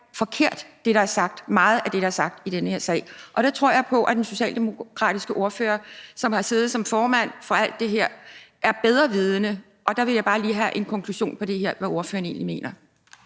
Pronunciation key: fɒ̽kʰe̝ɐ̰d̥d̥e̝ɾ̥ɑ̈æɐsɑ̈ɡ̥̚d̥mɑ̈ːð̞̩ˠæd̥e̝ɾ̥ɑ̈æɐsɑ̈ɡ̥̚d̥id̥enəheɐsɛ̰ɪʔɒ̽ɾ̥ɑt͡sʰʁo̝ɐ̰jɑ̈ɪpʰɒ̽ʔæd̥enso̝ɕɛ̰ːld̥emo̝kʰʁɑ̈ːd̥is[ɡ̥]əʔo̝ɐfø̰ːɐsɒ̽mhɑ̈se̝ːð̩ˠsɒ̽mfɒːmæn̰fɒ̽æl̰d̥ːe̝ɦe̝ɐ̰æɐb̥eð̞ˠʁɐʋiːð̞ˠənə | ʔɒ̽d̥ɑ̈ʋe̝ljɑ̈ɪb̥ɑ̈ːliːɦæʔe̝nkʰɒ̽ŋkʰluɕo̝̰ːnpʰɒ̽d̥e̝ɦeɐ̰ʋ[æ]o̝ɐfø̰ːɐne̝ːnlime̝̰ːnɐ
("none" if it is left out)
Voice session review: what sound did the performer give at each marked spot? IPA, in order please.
ɡ̥, æ

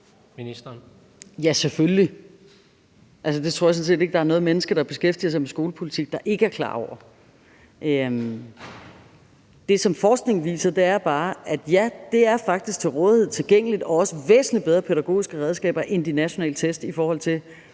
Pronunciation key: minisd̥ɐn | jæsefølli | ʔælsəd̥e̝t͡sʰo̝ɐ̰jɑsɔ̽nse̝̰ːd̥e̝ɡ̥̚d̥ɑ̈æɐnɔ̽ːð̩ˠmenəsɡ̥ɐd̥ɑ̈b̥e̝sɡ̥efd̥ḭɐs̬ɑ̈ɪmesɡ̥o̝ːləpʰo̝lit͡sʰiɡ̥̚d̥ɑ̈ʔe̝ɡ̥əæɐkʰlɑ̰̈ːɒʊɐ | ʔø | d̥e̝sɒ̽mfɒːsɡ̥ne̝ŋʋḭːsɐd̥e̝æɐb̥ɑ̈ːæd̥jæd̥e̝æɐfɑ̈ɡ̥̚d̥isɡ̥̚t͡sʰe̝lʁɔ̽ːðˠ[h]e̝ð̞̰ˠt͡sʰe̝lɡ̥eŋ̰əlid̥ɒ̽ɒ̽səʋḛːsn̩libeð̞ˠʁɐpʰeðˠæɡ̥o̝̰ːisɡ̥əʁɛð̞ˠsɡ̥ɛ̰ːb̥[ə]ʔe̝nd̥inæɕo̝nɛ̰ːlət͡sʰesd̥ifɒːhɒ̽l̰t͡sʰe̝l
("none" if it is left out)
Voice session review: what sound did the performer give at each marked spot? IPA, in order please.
h, ɐ

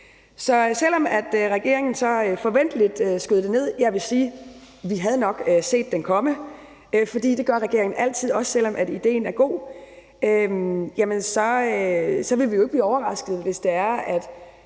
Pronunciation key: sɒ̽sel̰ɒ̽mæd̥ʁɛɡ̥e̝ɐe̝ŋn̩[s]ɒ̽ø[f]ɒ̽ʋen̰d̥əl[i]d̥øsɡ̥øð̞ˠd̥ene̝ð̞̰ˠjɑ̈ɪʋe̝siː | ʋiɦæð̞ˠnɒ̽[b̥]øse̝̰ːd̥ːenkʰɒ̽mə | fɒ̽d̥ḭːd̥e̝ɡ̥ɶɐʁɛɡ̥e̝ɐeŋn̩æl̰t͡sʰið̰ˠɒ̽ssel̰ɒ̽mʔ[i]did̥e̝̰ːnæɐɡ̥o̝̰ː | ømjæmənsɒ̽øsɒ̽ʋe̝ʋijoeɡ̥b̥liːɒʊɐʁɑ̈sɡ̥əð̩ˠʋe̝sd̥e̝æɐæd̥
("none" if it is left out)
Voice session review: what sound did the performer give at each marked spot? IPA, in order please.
s, f, i, ɡ̥, æ

